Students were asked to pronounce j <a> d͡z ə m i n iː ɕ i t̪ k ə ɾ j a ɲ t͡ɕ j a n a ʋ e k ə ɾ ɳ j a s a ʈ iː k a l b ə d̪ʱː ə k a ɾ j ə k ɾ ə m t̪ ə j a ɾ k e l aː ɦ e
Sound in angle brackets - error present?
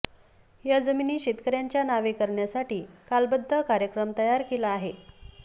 no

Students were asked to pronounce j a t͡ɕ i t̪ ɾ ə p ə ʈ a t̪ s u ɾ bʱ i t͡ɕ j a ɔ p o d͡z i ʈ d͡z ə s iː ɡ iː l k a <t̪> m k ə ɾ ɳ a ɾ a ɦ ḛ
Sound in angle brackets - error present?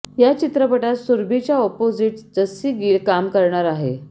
yes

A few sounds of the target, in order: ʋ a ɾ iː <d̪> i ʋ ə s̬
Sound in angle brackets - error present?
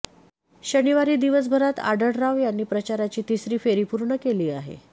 no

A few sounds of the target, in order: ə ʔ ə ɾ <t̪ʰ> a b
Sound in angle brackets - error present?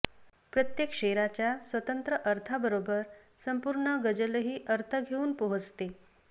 no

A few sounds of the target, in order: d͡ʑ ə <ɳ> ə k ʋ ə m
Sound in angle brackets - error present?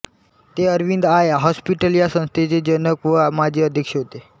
yes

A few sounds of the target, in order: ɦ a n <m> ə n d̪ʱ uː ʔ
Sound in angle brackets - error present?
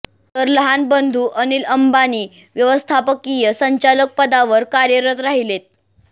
yes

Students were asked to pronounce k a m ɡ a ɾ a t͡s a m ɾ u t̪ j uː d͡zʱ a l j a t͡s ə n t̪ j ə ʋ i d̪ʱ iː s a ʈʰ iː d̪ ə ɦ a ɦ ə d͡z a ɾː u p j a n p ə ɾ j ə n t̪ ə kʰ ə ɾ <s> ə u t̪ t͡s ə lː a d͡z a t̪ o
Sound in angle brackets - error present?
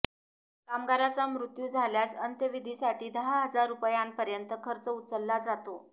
yes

